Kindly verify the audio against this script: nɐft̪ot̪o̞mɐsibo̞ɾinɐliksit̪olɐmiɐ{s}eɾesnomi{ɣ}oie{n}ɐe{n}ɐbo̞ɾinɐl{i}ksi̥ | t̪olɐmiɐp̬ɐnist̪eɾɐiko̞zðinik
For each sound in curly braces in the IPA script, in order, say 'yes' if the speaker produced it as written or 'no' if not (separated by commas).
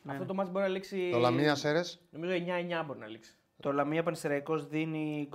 yes, no, no, no, yes